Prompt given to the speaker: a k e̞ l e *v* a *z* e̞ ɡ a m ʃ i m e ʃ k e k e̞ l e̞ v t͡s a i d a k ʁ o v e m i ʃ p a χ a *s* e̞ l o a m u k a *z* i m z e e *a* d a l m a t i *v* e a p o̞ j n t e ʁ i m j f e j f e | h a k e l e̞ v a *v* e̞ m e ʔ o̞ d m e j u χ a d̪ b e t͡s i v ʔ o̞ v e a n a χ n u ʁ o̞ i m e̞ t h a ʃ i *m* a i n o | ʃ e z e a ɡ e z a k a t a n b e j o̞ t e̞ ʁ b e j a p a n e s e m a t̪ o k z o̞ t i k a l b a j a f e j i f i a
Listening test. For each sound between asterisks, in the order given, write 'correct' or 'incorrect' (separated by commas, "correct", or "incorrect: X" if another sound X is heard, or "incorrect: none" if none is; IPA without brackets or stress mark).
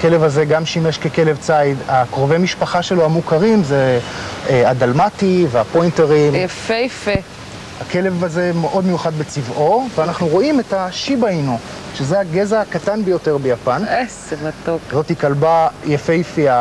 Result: correct, correct, incorrect: ʃ, incorrect: ʁ, correct, correct, incorrect: z, incorrect: b